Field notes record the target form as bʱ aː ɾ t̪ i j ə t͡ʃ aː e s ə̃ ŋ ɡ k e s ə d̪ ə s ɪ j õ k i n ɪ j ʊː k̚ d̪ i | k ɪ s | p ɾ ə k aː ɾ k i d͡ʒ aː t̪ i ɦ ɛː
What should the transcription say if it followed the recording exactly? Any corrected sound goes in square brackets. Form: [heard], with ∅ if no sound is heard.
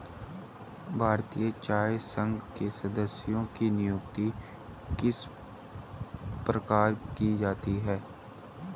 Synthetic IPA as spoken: bʱ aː ɾ t̪ i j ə t͡ʃ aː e s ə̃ ŋ ɡ k e s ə d̪ ə s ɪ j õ k i n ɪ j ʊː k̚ [t̪] i | k ɪ s | p ɾ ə k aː ɾ k i d͡ʒ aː t̪ i ɦ ɛː